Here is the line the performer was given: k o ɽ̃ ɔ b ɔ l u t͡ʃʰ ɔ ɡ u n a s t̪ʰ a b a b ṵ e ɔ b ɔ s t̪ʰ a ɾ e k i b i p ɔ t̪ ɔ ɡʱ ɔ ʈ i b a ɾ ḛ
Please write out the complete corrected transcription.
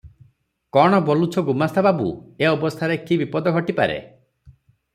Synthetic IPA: k ɔ ɽ̃ ɔ b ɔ l u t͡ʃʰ ɔ ɡ u m a s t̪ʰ a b a b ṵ e ɔ b ɔ s t̪ʰ a ɾ e k i b i p ɔ d̪ ɔ ɡʱ ɔ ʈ i p a ɾ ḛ